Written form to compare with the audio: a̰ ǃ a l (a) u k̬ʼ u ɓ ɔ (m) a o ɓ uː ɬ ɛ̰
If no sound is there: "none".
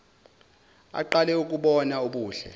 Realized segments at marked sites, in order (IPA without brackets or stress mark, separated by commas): ɛ, n